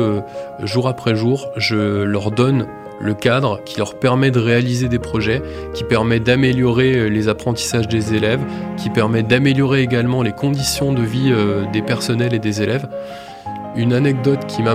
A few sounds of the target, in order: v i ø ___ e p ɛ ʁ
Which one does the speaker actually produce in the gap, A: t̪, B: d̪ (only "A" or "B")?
B